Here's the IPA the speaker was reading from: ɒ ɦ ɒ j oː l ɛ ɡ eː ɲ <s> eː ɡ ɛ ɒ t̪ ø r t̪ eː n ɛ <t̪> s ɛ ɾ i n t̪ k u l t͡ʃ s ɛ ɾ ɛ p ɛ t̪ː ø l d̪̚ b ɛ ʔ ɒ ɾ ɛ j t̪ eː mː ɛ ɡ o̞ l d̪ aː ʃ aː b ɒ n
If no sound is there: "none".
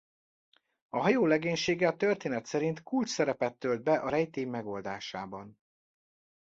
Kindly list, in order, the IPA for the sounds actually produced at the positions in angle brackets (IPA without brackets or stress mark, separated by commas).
ʃ, t̪